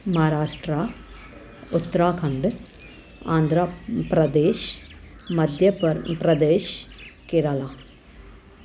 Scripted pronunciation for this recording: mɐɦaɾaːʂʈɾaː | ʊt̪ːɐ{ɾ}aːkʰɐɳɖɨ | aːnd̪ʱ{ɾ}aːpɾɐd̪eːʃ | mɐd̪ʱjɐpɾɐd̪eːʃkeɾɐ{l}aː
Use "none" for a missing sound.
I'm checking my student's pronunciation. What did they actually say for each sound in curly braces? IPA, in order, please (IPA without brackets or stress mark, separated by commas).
ɾ, ɾ, l